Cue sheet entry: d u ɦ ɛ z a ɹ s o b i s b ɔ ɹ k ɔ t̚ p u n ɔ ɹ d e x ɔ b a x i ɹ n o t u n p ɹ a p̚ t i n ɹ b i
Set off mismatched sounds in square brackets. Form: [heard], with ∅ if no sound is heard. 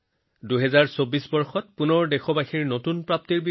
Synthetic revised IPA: d u ɦ ɛ z a ɹ s o b i s b ɔ ɹ [x] ɔ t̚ p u n ɔ ɹ d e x ɔ b a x i ɹ n o t u n p ɹ a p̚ t i [∅] ɹ b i